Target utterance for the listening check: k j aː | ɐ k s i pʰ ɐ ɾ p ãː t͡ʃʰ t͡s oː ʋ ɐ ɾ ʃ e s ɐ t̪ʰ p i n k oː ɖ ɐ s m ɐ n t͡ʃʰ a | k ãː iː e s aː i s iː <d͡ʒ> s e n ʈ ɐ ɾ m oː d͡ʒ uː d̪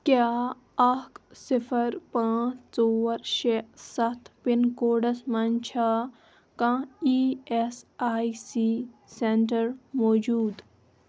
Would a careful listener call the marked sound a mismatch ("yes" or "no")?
yes